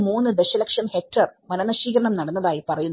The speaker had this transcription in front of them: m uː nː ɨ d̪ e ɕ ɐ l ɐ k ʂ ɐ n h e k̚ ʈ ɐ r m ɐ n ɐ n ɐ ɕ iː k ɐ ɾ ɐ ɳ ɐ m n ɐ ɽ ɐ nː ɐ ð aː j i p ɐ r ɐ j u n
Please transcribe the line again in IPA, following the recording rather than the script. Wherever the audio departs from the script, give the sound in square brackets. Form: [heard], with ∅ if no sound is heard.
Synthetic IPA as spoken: m uː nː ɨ d̪ e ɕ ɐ l ɐ k ʂ ɐ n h e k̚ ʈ ɐ r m ɐ n ɐ n ɐ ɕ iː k ɐ ɾ ɐ ɳ ɐ m n ɐ ɽ ɐ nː ɐ ð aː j i p ɐ r ɐ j u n